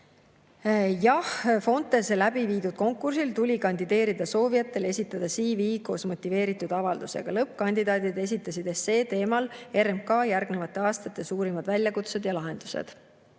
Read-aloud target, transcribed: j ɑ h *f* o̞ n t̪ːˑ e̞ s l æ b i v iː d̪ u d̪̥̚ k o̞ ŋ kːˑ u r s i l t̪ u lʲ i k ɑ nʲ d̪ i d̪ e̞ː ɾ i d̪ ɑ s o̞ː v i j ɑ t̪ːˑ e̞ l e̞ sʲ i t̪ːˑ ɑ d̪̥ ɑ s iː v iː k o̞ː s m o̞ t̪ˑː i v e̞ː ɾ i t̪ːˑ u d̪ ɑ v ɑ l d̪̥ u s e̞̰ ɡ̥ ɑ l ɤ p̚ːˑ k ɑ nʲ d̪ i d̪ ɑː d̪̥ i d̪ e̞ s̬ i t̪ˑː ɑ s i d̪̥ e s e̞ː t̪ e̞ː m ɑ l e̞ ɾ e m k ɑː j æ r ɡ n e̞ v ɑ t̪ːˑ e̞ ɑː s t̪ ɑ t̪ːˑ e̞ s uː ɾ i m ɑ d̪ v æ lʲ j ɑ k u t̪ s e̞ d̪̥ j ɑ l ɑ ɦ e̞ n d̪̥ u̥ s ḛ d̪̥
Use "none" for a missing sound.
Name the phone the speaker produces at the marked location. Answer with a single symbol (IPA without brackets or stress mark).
f